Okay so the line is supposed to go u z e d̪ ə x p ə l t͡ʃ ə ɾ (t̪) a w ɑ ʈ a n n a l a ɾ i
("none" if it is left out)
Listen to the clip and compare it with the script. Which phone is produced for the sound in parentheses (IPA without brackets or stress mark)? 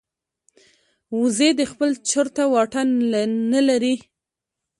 t̪